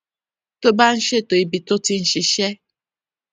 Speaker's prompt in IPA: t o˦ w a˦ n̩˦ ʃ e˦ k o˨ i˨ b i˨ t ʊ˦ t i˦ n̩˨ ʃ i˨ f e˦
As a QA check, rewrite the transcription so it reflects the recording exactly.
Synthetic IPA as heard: t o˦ b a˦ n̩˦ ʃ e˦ t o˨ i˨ b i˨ t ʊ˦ t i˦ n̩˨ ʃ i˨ ʃ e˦